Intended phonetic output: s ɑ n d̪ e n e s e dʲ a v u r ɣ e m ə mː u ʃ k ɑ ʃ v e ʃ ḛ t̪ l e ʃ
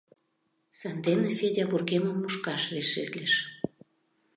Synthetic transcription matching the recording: s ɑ n d̪ e n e f e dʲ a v u r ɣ e m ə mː u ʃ k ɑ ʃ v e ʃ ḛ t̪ l e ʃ